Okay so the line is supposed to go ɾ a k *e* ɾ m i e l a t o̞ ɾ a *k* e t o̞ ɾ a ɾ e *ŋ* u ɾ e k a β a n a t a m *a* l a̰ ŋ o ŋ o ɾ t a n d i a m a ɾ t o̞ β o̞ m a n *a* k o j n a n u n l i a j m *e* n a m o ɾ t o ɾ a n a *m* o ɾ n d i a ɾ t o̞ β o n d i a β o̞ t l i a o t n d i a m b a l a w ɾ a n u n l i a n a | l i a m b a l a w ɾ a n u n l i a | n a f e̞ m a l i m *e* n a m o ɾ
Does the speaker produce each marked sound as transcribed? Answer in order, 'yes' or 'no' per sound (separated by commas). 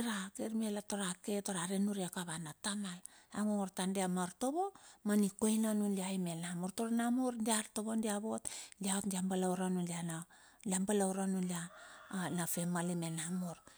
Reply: yes, yes, no, yes, no, yes, yes, yes